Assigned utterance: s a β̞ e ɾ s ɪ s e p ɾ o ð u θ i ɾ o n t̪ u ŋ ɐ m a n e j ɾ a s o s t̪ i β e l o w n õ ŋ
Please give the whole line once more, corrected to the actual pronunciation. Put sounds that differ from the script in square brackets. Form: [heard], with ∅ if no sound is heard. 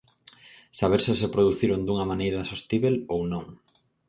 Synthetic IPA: s a β̞ e ɾ s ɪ s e p ɾ o ð u θ i ɾ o n [d̪] u ŋ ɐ m a n e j ɾ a s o s t̪ i β e l o w n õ ŋ